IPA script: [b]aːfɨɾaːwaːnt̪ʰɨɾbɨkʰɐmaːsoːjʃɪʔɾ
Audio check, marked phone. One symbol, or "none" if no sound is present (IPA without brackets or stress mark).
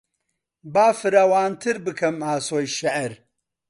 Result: b